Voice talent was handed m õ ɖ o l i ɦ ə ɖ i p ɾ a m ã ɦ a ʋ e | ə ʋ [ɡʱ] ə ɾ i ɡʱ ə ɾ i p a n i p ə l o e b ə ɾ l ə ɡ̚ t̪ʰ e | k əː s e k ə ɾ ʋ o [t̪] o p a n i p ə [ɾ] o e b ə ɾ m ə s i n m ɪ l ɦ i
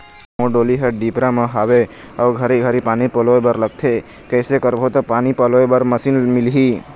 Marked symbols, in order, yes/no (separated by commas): yes, yes, no